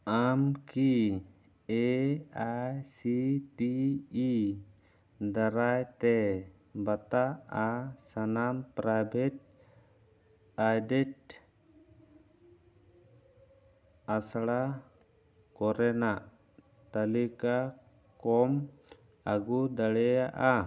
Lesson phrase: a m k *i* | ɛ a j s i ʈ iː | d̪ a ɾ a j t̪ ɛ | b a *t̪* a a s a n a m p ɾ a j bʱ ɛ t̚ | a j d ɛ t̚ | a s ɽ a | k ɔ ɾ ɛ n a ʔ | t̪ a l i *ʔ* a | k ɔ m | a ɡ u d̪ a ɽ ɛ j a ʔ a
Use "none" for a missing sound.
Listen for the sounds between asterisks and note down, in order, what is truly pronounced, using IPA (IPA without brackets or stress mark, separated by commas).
i, t̪, k